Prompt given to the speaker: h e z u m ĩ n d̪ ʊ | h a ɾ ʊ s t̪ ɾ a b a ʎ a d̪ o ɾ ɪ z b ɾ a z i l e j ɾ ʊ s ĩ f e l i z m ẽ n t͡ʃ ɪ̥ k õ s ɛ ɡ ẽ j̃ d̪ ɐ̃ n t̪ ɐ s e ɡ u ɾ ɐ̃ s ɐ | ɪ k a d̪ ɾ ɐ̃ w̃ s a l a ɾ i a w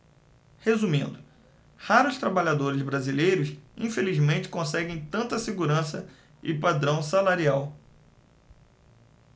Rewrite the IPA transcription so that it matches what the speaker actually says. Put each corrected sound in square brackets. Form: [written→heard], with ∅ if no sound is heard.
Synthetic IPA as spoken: h e z u m ĩ n d̪ ʊ | h a ɾ ʊ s t̪ ɾ a b a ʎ a d̪ o ɾ ɪ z b ɾ a z i l e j ɾ ʊ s ĩ f e l i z m ẽ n t͡ʃ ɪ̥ k õ s ɛ ɡ ẽ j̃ [d̪→t̪] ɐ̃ n t̪ ɐ s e ɡ u ɾ ɐ̃ s ɐ | ɪ [k→p] a d̪ ɾ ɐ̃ w̃ s a l a ɾ i a w

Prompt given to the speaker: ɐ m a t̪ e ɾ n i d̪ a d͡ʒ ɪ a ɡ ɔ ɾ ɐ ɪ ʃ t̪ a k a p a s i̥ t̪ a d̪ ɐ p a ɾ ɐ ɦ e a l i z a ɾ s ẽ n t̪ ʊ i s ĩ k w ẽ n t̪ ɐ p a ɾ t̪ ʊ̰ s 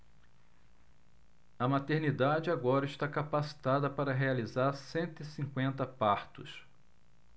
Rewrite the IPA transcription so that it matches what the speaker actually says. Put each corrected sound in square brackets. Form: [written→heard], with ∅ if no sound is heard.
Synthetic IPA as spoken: ɐ m a t̪ e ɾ n i d̪ a d͡ʒ ɪ a ɡ ɔ ɾ ɐ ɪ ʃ t̪ a k a p a s i̥ t̪ a d̪ ɐ p a ɾ ɐ ɦ e a l i z a ɾ s ẽ n t̪ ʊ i s ĩ k w ẽ n t̪ ɐ p a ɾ t̪ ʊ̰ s

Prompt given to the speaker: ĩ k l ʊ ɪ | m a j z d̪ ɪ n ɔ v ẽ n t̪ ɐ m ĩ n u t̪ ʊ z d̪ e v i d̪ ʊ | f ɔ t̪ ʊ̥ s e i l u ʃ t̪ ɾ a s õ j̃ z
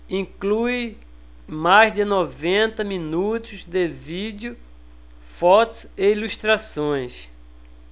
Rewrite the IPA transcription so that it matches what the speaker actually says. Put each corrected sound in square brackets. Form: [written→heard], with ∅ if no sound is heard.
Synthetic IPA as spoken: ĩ k l [ʊ→u] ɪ | m a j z d̪ ɪ n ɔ v ẽ n t̪ ɐ m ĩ n u t̪ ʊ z d̪ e v i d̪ ʊ | f ɔ t̪ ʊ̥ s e i l u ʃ t̪ ɾ a s õ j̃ [z→s]

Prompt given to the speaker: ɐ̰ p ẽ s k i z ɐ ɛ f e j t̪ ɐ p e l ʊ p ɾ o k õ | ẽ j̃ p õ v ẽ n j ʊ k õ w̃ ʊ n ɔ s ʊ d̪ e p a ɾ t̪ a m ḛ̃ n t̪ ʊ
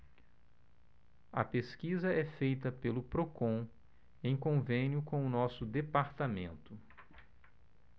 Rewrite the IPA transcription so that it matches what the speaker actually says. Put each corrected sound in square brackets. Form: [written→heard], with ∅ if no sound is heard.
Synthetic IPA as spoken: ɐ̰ p [ẽ→e] s k i z ɐ ɛ f e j t̪ ɐ p e l ʊ p ɾ o k õ | ẽ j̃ [p→k] õ v ẽ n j ʊ k õ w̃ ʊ n ɔ s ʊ d̪ e p a ɾ t̪ a m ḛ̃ n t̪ ʊ

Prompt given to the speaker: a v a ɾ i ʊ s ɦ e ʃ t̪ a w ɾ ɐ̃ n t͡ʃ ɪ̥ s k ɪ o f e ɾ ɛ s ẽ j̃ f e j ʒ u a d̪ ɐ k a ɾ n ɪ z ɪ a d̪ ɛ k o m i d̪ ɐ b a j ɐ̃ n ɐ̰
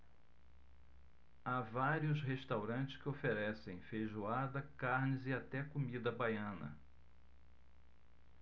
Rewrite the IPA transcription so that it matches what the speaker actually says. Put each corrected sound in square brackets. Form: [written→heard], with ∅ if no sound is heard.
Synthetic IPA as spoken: a v a ɾ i ʊ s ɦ e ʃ t̪ a w ɾ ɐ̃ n t͡ʃ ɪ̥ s k ɪ o f e ɾ ɛ s ẽ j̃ f e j ʒ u a d̪ ɐ k a ɾ n ɪ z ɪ a [d̪→t̪] ɛ k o m i d̪ ɐ b a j ɐ̃ n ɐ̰

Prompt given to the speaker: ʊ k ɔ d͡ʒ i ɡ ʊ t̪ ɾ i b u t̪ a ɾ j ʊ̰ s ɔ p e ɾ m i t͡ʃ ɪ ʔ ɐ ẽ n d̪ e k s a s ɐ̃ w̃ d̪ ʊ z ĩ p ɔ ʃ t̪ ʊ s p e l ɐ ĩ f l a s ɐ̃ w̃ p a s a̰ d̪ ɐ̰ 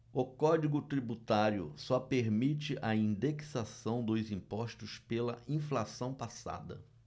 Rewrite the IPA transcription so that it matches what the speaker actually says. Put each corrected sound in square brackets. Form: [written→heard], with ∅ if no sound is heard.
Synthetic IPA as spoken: ʊ k ɔ d͡ʒ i ɡ ʊ t̪ ɾ i b u t̪ a ɾ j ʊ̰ s ɔ p e ɾ m i t͡ʃ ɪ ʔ ɐ [ẽ→ĩ] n d̪ e k s a s ɐ̃ w̃ d̪ ʊ z ĩ p ɔ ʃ t̪ ʊ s p e l ɐ ĩ f l a s ɐ̃ w̃ p a s a̰ d̪ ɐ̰

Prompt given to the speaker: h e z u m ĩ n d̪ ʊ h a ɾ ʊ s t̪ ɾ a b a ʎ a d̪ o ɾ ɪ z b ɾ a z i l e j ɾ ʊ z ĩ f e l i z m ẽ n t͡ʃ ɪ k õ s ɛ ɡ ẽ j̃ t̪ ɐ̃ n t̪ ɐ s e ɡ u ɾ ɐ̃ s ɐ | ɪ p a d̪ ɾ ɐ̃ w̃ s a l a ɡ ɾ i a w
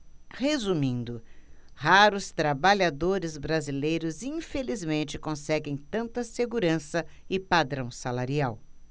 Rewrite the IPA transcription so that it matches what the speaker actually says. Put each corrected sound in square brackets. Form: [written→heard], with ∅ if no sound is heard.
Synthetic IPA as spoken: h e z u m ĩ n d̪ ʊ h a ɾ ʊ s t̪ ɾ a b a ʎ a d̪ o ɾ ɪ z b ɾ a z i l e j ɾ ʊ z ĩ f e l i z m ẽ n t͡ʃ ɪ k õ s ɛ ɡ ẽ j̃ t̪ ɐ̃ n t̪ ɐ s e ɡ u ɾ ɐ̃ s ɐ | ɪ p a d̪ ɾ ɐ̃ w̃ s a l a [ɡ→∅] ɾ i a w

